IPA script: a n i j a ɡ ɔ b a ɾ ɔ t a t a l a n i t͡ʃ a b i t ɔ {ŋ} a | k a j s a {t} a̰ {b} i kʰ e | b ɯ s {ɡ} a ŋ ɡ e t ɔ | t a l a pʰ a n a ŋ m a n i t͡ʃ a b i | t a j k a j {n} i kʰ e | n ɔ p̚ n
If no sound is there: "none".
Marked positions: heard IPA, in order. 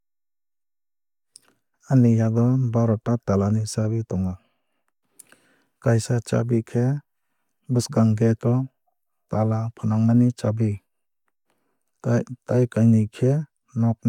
ŋ, t͡ʃ, b, ɡ, n

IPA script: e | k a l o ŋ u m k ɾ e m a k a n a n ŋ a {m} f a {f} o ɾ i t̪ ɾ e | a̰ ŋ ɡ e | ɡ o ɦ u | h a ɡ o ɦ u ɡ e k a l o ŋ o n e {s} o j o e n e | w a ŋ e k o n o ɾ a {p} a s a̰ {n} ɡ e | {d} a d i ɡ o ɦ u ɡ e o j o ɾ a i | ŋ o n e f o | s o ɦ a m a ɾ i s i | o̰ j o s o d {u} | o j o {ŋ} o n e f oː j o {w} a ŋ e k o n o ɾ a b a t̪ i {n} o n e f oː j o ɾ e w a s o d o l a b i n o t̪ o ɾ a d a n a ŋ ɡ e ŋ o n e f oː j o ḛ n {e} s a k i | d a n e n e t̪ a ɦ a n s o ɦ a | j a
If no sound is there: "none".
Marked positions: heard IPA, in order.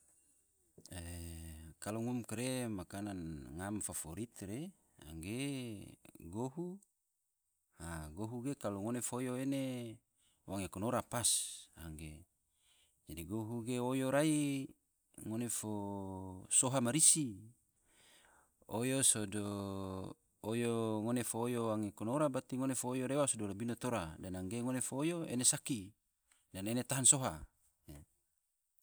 m, f, f, p, ŋ, d͡ʒ, o, ŋ, w, ŋ, e

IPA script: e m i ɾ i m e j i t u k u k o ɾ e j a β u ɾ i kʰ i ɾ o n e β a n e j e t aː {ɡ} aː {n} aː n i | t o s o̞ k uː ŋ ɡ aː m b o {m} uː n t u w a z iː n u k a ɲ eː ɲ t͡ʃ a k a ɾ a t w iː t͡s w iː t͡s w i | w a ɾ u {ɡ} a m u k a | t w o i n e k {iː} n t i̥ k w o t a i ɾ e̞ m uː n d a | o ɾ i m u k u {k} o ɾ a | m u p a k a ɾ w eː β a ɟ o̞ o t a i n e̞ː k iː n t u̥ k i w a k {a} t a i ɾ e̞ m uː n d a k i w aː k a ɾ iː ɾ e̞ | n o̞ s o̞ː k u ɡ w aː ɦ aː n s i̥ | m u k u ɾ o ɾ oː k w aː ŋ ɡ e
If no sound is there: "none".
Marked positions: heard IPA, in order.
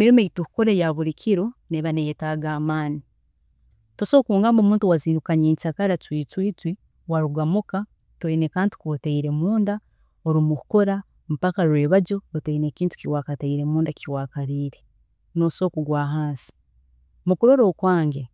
ɡ, m, m, ɡ, aː, k, a

